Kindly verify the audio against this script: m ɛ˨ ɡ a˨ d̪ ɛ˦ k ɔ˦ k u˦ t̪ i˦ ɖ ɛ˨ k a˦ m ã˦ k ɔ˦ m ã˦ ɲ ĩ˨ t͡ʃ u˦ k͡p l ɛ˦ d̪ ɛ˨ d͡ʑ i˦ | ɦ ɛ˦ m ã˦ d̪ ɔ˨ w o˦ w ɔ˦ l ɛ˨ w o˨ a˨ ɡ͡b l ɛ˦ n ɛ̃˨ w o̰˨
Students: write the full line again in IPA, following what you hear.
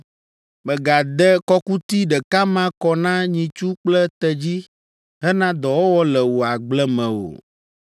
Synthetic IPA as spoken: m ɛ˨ ɡ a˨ d̪ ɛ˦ k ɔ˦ k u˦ t̪ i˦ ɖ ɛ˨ k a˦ m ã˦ k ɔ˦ n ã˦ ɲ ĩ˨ t͡ʃ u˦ k͡p l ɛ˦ t̪ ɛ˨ d͡ʑ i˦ | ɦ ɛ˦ n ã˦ d̪ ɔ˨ w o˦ w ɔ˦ l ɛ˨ w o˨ a˨ ɡ͡b l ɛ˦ m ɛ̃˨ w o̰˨